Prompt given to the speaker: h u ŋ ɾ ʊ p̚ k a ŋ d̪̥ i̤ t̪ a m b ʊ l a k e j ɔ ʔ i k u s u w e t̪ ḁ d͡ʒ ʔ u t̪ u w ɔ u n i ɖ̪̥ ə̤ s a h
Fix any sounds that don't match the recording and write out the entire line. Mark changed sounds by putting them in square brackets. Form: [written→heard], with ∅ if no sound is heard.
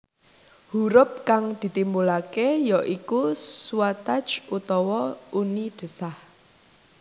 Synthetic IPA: h u [ŋ→∅] ɾ ʊ p̚ k a ŋ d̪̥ i̤ t̪ [a→i] m b [ʊ→u] l a k e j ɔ ʔ i k u s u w [e→a] t̪ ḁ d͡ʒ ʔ u t̪ [u→ɔ] w ɔ u n i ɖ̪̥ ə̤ s a h